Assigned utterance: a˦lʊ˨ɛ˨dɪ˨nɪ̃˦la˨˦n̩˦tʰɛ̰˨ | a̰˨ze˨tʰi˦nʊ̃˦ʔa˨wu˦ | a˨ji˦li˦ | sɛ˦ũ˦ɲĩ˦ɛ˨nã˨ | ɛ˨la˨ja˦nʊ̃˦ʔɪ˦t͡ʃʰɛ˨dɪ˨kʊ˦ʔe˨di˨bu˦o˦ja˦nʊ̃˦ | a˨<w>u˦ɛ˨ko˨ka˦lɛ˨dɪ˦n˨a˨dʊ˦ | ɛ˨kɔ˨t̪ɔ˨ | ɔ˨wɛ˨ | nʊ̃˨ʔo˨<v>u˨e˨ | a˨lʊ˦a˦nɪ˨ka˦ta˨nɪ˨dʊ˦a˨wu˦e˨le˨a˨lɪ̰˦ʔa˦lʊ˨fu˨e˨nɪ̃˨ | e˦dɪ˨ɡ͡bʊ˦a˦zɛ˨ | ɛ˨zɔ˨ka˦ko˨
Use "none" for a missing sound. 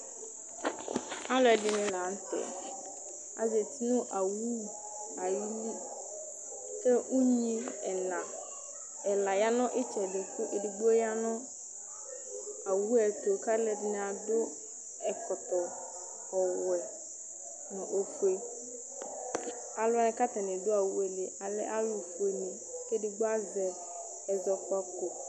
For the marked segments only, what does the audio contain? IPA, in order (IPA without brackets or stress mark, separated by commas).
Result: w, f